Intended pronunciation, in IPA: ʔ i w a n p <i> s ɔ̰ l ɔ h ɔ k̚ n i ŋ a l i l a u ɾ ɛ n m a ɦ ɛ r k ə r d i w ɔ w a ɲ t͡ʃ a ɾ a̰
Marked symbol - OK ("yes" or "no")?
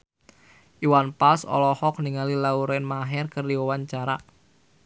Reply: no